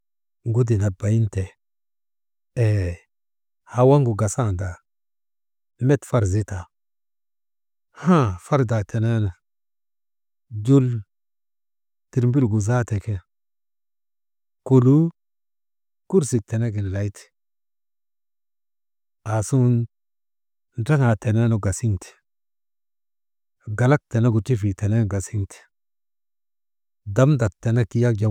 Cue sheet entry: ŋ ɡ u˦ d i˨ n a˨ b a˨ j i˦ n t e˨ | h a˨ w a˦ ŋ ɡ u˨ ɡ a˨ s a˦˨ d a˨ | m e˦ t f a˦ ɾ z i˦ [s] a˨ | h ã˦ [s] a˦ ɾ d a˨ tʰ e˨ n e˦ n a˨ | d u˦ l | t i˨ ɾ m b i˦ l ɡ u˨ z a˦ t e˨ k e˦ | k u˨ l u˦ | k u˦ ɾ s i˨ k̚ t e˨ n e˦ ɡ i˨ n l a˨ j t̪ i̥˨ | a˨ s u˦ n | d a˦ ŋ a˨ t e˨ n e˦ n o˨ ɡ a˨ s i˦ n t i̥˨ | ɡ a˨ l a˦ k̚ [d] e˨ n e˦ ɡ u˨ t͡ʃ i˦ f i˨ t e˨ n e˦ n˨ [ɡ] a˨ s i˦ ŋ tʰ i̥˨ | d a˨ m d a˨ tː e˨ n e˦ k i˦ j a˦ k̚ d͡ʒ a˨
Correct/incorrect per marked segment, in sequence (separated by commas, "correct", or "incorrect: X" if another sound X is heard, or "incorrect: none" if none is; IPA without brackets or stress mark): incorrect: t, incorrect: f, incorrect: t, correct